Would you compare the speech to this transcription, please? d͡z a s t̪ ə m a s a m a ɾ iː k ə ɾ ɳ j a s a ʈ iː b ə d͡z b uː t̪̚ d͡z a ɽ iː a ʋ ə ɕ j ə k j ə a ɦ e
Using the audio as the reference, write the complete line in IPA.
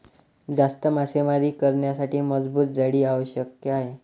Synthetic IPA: d͡z a s t̪ ə m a s e m a ɾ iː k ə ɾ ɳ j a s a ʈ iː m ə d͡z b uː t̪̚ d͡z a ɽ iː a ʋ ə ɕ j ə k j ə a ɦ e